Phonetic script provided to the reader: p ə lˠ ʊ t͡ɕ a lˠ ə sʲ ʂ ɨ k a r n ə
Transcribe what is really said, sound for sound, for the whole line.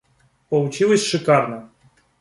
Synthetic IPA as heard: p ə lˠ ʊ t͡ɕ i lˠ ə sʲ ʂ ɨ k a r n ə